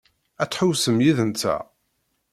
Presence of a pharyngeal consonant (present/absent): present